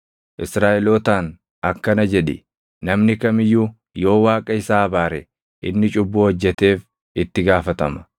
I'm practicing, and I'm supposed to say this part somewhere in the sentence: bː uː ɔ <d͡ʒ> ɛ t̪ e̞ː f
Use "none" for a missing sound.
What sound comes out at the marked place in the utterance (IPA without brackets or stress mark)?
d͡ʒː